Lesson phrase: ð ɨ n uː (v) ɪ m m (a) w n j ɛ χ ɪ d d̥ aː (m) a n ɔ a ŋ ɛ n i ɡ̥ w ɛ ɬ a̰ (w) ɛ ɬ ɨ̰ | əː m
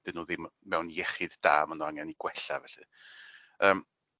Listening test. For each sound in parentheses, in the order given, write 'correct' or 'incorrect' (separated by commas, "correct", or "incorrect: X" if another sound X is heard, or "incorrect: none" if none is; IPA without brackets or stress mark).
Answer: incorrect: ð, incorrect: ɛ, correct, incorrect: v